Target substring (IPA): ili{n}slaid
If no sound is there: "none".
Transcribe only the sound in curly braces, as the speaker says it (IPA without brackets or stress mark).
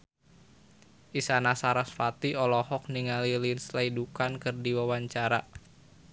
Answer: n